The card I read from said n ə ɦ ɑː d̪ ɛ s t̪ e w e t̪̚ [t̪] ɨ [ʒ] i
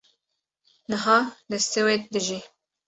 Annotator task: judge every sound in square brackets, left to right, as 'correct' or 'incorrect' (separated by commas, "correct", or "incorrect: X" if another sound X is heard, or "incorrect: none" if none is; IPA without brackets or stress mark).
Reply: incorrect: d̪, correct